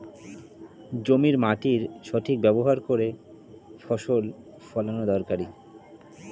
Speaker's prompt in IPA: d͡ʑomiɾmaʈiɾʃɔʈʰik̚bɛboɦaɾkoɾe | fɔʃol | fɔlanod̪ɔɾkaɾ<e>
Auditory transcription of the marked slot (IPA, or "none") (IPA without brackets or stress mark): i